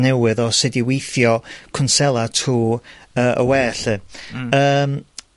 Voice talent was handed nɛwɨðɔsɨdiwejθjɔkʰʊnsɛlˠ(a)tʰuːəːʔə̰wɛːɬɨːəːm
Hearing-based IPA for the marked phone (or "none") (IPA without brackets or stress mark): a